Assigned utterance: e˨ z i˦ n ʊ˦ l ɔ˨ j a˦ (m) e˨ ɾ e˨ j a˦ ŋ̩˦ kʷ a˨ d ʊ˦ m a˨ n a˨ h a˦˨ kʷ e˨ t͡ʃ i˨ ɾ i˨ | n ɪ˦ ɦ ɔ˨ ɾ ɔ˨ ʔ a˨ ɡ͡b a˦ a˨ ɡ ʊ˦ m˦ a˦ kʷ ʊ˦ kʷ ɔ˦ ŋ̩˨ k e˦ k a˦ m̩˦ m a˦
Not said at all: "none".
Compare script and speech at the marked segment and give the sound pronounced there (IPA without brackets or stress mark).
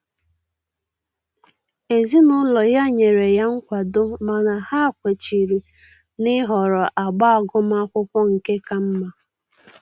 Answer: ɲ